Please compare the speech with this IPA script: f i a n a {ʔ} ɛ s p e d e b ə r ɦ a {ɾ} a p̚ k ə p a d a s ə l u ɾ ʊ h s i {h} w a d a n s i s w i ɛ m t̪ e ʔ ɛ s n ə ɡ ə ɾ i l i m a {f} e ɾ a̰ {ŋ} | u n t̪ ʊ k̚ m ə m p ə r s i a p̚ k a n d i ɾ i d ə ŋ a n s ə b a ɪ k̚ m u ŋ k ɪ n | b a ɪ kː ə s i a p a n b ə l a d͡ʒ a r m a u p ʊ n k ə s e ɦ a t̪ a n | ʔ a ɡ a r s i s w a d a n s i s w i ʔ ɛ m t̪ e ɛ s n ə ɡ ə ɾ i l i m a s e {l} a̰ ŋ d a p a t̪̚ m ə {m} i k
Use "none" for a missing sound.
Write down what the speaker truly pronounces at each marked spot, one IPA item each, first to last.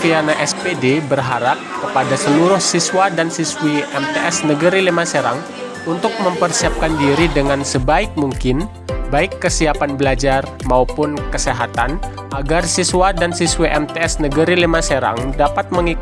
ʔ, ɾ, s, s, ŋ, ɾ, ŋ

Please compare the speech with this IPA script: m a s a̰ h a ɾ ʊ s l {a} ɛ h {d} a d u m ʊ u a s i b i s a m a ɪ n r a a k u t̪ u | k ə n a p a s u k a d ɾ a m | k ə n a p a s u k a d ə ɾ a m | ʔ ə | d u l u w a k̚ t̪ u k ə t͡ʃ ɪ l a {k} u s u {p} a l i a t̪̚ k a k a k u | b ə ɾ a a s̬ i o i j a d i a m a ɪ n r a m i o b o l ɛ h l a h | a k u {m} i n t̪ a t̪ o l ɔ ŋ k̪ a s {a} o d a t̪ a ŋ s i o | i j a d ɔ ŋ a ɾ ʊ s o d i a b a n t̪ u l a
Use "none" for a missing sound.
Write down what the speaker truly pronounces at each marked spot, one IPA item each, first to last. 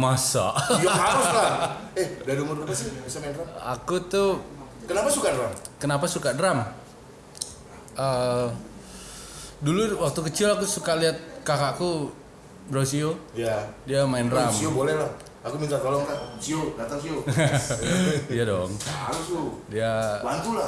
a, d, k, k, m, i

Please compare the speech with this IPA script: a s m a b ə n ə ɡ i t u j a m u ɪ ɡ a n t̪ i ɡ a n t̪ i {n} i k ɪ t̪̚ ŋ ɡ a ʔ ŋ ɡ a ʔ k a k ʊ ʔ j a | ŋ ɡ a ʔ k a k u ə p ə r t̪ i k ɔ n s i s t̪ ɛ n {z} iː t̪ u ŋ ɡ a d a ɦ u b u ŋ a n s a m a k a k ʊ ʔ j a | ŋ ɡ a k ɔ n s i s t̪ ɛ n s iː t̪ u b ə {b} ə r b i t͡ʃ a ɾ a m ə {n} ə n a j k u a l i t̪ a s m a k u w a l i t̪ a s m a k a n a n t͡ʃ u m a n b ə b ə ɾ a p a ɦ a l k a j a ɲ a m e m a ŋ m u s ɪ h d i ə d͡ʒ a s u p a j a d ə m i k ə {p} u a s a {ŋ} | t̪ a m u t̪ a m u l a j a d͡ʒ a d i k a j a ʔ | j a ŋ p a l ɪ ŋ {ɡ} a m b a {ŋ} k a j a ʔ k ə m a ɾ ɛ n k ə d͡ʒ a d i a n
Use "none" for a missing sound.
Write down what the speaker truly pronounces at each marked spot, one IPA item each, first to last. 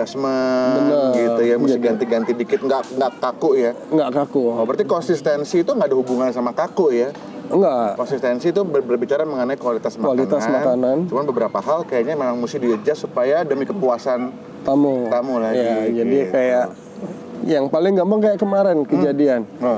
d, s, b, ŋ, p, n, ɡ, ŋ

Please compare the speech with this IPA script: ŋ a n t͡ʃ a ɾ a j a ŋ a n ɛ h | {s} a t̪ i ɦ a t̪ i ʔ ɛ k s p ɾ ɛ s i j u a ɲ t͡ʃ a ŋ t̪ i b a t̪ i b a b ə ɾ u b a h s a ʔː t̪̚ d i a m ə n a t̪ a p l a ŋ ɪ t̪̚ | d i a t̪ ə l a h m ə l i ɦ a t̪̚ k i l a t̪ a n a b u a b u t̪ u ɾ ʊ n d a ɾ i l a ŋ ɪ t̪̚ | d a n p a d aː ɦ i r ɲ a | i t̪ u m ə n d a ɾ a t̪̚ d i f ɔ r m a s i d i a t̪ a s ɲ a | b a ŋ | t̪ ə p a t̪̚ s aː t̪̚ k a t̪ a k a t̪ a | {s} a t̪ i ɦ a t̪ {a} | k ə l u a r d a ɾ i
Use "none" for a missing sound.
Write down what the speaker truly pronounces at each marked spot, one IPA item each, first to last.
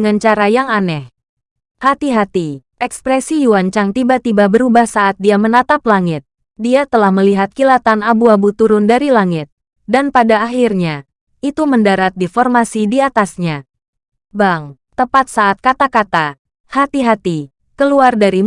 h, h, i

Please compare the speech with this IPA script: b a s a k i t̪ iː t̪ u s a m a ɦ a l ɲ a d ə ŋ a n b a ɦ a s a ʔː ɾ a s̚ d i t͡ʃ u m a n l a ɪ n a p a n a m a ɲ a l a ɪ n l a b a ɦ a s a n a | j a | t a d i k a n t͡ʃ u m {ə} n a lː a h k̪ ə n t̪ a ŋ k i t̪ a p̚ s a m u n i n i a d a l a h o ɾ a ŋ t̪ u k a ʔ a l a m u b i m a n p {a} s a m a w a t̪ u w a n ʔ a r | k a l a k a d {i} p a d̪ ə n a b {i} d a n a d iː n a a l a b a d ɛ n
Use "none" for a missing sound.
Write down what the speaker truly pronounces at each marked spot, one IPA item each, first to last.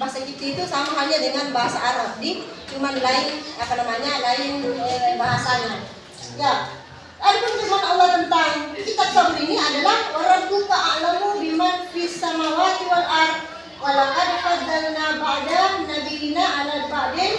a, i, a, a

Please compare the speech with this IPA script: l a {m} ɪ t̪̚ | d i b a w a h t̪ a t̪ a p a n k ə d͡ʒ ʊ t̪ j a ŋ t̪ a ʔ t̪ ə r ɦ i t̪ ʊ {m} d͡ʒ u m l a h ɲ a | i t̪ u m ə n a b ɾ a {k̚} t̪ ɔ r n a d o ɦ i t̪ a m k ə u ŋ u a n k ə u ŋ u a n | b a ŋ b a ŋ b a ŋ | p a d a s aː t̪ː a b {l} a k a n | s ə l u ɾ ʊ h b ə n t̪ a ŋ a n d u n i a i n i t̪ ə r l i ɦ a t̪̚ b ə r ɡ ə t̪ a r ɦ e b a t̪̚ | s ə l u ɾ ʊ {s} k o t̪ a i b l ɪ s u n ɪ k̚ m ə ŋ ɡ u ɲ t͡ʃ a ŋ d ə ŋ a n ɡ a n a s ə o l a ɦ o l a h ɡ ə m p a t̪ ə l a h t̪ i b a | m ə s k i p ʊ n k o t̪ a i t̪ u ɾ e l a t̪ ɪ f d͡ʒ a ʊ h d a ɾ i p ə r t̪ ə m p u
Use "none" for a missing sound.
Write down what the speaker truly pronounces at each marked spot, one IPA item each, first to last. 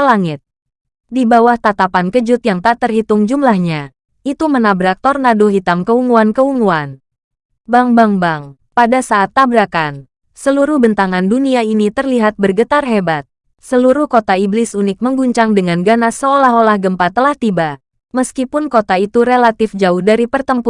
ŋ, ŋ, k̚, ɾ, h

